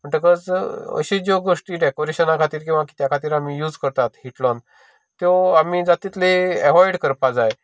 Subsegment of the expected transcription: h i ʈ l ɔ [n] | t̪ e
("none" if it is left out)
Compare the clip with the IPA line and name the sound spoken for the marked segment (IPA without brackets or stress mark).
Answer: n